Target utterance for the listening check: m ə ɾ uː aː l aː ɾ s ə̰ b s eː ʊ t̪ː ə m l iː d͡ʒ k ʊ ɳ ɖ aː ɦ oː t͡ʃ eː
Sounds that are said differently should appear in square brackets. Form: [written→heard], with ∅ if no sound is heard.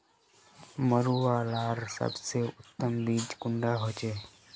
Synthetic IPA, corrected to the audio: m ə ɾ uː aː l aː ɾ s ə̰ b s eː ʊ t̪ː ə m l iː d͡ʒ k ʊ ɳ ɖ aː ɦ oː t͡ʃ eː